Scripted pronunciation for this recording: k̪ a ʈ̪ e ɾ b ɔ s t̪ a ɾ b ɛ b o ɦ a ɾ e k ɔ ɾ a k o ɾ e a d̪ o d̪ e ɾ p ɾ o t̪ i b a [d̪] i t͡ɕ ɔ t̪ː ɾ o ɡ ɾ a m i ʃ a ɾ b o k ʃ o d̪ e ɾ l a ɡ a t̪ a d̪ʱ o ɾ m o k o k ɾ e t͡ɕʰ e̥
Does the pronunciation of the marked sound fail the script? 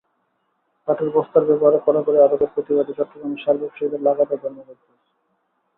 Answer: no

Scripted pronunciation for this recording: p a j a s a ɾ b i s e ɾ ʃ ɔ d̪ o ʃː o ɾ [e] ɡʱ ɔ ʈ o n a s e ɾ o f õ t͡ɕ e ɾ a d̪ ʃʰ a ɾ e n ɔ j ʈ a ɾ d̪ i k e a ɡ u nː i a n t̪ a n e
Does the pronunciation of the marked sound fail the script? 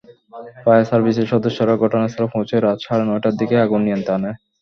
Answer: yes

